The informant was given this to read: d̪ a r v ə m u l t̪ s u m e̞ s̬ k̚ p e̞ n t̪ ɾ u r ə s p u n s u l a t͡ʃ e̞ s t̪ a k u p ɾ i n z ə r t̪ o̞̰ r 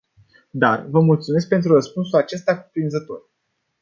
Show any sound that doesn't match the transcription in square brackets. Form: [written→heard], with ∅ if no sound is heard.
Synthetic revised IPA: d̪ a r v ə m u l t̪ s u m e̞ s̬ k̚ p e̞ n t̪ ɾ u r ə s p u n s u l a t͡ʃ e̞ s t̪ a k u p ɾ i n z ə [r→∅] t̪ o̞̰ r